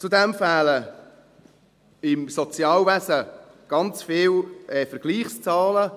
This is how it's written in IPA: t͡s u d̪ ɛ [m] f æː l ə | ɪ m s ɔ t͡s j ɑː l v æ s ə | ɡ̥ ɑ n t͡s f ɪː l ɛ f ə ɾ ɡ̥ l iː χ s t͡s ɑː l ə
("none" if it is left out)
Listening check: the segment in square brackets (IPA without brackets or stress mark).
m